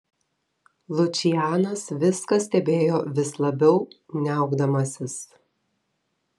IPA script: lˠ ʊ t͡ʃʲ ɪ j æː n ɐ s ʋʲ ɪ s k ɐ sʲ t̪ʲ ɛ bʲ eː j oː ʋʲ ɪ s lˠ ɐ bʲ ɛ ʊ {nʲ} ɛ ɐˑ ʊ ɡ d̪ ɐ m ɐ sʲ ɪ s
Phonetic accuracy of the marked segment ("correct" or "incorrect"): correct